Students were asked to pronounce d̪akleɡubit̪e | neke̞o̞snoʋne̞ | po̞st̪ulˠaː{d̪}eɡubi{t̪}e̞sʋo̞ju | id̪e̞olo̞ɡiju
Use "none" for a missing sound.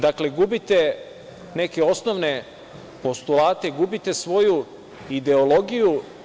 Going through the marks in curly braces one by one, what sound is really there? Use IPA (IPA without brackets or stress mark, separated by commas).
t̪, t̪